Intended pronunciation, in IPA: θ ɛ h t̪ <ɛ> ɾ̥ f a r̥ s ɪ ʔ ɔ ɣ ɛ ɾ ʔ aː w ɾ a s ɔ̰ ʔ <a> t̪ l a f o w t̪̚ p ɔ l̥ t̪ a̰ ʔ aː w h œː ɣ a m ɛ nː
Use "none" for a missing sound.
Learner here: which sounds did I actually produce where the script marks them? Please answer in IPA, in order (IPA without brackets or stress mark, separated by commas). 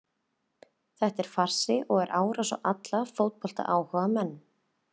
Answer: ɛ, a